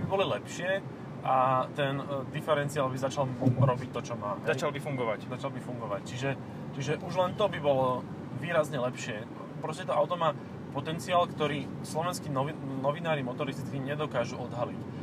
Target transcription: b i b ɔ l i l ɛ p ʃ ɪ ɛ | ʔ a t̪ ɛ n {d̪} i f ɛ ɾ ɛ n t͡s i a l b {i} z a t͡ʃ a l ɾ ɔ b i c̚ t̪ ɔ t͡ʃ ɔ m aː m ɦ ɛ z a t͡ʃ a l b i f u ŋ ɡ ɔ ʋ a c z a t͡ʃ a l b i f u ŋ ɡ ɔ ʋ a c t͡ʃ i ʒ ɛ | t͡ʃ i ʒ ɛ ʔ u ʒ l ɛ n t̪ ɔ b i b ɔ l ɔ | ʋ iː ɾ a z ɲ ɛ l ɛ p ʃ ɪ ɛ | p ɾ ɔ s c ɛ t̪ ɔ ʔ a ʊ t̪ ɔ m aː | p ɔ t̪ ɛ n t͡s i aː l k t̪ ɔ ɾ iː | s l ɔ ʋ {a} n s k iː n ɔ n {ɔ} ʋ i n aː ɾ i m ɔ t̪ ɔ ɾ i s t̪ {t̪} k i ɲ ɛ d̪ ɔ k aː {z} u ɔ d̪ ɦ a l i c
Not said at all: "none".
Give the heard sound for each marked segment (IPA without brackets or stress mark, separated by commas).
d̪, i, ɛ, ɔ, t̪, ʒ